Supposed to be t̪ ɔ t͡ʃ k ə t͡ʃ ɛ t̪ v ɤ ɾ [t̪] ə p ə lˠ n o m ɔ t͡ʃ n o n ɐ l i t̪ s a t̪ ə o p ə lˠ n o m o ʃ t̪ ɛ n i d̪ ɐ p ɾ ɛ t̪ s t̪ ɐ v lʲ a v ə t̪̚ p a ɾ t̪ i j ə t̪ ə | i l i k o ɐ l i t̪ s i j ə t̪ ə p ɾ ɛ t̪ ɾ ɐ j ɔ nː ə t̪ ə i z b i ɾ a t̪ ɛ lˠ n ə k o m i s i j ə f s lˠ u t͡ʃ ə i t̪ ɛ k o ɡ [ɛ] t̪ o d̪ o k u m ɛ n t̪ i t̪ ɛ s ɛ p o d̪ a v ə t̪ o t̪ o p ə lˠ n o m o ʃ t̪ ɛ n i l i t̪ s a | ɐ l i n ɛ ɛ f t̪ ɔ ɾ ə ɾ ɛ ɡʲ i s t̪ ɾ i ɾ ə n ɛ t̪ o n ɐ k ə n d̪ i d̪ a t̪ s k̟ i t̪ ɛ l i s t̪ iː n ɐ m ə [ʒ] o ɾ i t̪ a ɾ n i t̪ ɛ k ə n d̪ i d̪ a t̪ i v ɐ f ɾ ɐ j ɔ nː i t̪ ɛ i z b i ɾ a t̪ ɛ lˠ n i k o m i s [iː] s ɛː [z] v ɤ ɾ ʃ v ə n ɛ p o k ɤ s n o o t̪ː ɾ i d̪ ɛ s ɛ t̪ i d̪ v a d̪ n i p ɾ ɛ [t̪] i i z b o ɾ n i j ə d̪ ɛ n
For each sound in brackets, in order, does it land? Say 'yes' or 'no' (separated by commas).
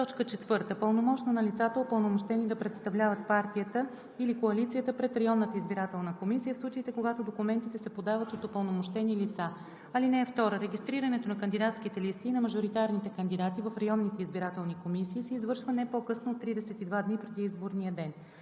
yes, no, yes, yes, yes, no